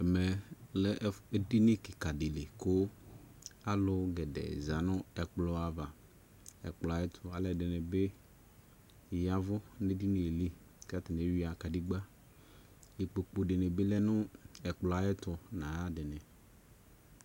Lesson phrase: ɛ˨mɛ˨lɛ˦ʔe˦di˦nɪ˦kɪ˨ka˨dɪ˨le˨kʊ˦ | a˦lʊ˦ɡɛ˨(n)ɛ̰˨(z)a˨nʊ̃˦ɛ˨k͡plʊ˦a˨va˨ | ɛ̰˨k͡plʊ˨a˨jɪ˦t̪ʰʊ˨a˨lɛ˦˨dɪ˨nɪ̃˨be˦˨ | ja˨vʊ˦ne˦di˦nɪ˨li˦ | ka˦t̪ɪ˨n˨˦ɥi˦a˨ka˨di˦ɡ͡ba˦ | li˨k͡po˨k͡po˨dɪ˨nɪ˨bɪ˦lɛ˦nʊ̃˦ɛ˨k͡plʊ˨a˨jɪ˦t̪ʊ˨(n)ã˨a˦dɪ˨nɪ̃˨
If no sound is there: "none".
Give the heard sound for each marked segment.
d, z, n

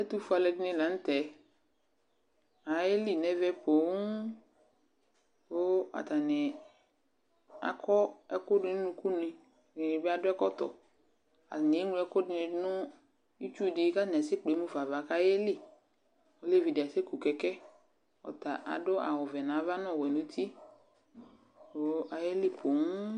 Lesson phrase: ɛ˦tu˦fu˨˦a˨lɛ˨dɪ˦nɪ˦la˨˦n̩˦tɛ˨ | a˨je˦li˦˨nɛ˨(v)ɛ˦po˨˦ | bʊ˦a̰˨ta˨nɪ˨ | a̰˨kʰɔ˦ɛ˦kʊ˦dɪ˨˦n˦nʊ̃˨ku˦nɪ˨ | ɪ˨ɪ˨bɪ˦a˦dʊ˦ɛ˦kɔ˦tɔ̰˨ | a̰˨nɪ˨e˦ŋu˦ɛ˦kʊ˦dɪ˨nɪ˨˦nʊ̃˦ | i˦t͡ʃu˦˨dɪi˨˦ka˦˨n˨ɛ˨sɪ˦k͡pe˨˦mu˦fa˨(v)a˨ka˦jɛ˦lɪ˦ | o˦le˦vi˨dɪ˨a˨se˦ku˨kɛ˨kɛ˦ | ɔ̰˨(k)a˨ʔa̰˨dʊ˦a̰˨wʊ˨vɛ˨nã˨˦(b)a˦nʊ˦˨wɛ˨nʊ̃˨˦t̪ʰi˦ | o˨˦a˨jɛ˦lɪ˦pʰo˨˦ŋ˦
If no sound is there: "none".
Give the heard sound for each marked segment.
v, v, t, v

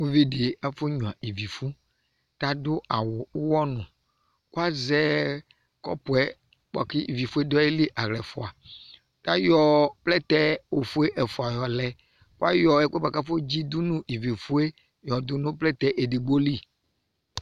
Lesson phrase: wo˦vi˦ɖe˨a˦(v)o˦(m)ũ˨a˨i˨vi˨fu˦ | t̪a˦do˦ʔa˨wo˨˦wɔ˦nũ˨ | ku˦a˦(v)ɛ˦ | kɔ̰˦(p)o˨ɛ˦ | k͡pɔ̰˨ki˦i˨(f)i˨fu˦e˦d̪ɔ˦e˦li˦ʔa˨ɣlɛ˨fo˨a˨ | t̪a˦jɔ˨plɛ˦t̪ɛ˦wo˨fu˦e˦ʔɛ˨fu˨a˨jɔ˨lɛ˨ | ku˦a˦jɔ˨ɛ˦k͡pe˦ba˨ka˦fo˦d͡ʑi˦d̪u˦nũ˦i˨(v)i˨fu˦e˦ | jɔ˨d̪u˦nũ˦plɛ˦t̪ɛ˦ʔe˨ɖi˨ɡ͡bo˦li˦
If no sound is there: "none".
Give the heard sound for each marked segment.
f, ɲ, z, p, v, v

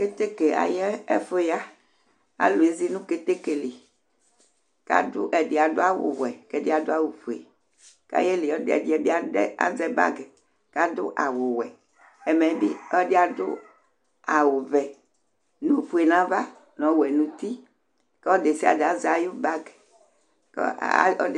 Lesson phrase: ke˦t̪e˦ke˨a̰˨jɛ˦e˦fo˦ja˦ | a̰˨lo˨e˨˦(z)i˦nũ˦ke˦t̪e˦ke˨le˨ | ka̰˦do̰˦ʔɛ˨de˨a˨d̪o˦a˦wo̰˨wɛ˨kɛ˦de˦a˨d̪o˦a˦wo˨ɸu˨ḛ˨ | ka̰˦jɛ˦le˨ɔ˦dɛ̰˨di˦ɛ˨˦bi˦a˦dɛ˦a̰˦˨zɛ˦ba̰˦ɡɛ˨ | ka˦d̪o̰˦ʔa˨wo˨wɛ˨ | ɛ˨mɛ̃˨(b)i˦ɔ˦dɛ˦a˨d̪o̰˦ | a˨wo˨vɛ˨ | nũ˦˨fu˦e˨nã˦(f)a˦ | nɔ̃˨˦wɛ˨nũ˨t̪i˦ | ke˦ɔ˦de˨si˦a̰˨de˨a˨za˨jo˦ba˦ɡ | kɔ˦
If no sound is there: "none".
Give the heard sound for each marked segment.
z, b, v

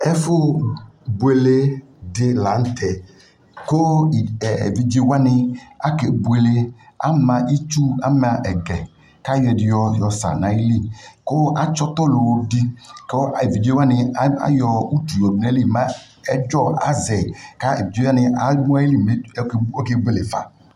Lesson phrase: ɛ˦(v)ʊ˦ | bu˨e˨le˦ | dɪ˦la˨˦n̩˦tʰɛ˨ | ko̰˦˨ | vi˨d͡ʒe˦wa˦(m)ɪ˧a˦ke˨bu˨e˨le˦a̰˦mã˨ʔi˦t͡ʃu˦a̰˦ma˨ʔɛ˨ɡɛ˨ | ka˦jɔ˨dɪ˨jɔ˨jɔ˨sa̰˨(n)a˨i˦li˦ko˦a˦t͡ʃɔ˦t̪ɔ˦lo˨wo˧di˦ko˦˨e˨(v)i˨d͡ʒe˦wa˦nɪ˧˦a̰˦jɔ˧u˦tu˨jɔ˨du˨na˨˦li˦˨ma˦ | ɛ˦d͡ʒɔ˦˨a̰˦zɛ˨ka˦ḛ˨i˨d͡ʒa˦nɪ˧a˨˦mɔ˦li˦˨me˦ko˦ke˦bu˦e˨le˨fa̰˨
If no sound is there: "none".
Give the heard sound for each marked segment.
f, n, n, v

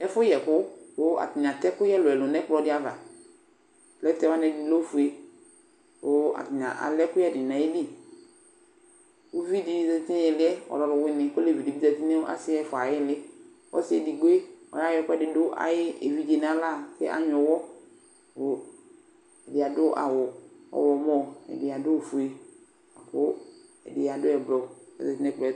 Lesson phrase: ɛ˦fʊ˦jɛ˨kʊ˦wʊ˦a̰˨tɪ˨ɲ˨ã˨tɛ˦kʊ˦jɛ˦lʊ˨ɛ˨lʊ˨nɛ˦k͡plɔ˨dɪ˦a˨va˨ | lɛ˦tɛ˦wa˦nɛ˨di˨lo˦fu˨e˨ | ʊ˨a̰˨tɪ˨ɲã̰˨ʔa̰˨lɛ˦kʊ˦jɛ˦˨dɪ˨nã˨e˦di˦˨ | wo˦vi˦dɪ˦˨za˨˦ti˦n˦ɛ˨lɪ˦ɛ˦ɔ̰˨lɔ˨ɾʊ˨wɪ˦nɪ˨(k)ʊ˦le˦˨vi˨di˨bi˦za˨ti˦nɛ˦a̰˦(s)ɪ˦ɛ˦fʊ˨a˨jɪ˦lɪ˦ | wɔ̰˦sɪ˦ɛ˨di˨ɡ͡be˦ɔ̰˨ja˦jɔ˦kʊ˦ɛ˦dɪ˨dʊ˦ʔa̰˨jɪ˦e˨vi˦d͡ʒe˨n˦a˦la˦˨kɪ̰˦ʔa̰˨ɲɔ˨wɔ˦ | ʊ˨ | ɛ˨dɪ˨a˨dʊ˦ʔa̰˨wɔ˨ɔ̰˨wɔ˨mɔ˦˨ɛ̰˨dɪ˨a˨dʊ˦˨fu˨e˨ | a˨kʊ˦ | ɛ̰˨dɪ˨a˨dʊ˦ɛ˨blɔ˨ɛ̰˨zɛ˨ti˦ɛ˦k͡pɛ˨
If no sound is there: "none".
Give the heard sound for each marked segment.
k, s

